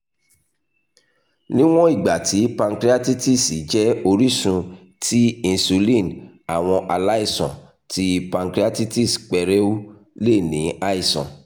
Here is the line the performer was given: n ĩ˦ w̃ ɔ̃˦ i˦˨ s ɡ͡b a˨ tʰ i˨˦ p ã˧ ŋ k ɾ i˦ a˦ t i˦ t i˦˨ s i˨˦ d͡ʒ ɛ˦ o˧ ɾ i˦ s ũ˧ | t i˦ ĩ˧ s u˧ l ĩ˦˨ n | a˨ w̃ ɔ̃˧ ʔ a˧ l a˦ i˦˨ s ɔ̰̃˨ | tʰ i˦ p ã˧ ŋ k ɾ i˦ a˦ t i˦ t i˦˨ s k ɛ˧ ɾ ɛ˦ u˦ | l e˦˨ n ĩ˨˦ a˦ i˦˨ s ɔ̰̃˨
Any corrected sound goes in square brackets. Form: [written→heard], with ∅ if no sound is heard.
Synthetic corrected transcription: n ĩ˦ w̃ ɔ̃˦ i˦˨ [s→∅] ɡ͡b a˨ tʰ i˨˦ p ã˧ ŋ k ɾ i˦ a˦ t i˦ t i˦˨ s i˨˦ d͡ʒ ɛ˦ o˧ ɾ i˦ s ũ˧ | t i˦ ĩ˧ s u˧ l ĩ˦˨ n | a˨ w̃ ɔ̃˧ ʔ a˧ l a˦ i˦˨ s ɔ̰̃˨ | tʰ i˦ p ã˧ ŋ k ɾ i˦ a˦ t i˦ t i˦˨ s [k→k͡p] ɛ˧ ɾ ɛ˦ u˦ | l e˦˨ n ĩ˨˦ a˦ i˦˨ s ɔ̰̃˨